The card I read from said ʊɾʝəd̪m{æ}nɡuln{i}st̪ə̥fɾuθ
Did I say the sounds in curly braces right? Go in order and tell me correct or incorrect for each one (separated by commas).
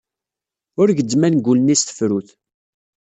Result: correct, correct